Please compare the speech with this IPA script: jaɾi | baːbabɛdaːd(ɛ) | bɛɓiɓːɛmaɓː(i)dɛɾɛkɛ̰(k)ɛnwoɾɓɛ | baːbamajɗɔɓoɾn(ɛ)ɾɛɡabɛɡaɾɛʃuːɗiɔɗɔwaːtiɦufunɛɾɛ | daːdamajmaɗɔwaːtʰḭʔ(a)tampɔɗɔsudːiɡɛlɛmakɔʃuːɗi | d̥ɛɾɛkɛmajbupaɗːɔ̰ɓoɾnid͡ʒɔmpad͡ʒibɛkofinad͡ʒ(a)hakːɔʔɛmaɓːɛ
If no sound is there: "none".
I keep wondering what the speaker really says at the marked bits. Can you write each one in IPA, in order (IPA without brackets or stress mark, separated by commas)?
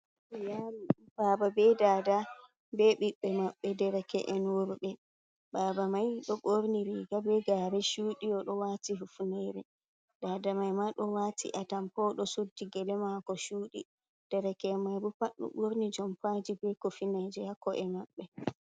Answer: a, ɛ, ʔ, i, a, ɛ